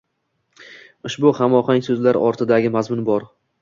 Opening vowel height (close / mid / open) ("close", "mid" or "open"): close